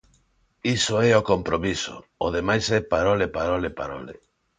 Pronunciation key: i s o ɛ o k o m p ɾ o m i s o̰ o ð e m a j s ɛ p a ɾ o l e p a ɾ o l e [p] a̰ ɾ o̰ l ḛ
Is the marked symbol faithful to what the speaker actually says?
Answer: yes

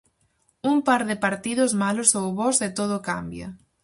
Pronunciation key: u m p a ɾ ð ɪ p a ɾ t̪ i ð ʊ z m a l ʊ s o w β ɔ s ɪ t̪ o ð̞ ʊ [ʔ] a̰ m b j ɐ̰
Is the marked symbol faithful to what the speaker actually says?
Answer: no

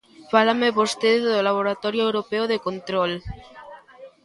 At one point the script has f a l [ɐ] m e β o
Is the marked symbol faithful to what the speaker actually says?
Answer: no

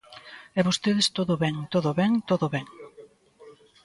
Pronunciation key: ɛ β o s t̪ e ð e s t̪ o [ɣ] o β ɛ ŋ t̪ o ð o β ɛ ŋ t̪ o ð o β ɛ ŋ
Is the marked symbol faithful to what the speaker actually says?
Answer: no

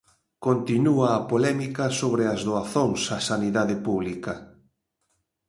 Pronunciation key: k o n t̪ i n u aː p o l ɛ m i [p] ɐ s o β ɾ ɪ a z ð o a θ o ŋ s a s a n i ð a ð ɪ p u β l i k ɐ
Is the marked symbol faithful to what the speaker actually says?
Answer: no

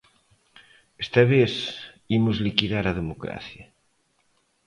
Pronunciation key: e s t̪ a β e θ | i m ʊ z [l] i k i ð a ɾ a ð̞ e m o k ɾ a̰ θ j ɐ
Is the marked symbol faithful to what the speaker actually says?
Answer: yes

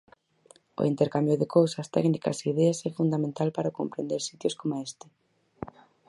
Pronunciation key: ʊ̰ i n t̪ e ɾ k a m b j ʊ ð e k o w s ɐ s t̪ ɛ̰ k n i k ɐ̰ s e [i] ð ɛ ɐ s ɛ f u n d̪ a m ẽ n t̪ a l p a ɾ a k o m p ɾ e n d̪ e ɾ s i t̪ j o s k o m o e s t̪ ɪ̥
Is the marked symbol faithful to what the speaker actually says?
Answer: yes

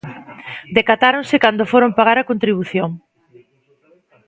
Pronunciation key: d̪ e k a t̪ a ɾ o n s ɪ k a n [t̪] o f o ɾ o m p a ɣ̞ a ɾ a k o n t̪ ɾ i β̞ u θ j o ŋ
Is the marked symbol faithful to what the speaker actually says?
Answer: no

